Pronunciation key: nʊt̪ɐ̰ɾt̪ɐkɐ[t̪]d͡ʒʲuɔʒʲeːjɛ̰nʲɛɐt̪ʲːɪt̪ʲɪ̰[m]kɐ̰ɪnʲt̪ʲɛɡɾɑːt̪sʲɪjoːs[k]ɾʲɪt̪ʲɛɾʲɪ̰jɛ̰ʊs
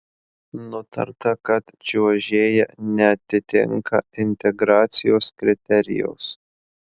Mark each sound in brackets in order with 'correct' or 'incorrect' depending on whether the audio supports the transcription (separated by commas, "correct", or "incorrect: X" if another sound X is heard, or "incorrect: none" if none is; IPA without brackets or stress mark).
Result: correct, incorrect: ŋ, correct